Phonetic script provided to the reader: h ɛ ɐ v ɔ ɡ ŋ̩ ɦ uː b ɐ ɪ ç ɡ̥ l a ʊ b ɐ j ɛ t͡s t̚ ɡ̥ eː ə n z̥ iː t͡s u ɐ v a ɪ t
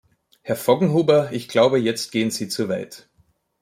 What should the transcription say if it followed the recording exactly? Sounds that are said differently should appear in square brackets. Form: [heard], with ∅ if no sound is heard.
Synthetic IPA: h ɛ ɐ [f] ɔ ɡ ŋ̩ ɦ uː b ɐ ɪ ç ɡ̥ l a ʊ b [ə] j ɛ t͡s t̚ ɡ̥ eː ə n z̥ iː t͡s u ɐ v a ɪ t